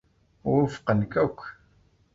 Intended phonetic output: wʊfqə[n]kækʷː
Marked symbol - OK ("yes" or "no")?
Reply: yes